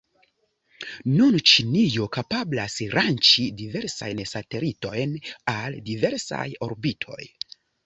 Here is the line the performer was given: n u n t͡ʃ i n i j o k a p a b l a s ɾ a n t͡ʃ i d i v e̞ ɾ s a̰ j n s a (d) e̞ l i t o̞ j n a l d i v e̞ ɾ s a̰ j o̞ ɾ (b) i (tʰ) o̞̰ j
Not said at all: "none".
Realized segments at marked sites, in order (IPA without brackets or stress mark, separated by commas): t, b, tʰ